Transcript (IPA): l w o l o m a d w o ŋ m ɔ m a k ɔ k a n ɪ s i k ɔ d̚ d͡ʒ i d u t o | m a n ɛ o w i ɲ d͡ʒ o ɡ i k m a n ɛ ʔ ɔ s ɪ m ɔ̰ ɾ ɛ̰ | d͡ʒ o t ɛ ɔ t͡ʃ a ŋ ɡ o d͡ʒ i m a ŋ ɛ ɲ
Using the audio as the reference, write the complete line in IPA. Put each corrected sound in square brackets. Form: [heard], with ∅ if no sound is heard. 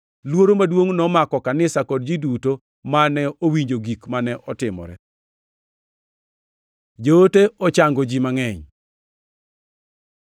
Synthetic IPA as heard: l w o [ɾ] o m a d w o ŋ [n] ɔ m a k ɔ k a n ɪ s [a] k ɔ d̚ d͡ʒ i d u t o | m a n ɛ o w i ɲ d͡ʒ o ɡ i k m a n ɛ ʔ ɔ [t] ɪ m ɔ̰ ɾ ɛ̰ | d͡ʒ o t [e] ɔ t͡ʃ a ŋ ɡ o d͡ʒ i m a ŋ ɛ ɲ